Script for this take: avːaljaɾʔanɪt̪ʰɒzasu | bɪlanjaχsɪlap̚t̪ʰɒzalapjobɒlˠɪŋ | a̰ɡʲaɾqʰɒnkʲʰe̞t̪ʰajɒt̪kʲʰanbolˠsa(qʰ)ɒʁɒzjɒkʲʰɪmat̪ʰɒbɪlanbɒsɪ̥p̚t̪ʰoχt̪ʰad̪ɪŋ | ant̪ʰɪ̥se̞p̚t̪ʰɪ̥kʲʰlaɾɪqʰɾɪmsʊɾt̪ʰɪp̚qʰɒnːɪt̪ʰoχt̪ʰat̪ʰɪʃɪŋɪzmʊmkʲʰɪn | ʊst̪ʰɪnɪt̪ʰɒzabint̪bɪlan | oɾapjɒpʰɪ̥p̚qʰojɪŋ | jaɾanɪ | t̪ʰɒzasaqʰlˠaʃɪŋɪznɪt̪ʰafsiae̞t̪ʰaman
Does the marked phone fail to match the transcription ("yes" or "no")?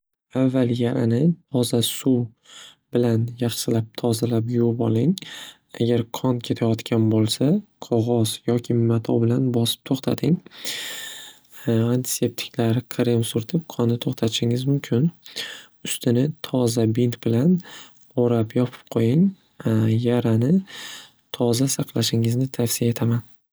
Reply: no